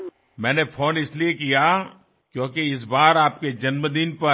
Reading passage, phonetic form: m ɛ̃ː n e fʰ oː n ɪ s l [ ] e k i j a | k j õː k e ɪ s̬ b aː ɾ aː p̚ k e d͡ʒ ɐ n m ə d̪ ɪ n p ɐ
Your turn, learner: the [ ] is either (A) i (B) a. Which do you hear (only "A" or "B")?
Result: A